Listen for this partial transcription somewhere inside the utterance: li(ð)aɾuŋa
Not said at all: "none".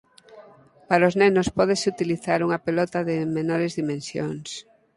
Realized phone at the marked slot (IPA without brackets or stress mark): θ